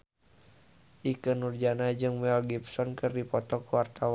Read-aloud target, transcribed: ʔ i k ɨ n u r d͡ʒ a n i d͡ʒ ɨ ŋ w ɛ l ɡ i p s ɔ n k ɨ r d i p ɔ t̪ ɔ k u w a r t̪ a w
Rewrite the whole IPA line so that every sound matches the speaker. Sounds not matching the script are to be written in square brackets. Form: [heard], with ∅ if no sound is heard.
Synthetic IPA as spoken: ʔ i k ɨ n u r d͡ʒ a n [a] d͡ʒ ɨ ŋ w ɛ l ɡ i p s ɔ n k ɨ r d i p ɔ t̪ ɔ k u w a r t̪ a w